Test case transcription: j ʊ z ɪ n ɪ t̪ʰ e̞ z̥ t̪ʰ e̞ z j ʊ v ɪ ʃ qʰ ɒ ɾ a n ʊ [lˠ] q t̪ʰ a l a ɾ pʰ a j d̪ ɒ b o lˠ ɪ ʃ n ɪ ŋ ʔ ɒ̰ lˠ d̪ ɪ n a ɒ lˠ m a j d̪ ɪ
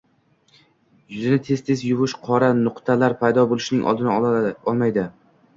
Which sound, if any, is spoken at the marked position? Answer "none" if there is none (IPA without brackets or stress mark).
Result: none